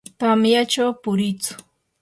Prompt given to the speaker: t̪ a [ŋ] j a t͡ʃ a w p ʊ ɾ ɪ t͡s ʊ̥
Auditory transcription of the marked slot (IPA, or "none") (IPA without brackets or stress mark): m